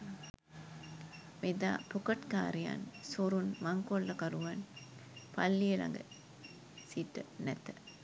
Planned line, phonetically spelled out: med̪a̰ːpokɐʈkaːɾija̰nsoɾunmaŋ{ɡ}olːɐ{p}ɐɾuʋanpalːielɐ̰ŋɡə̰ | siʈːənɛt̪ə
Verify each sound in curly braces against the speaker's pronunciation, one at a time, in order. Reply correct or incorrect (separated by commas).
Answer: incorrect, incorrect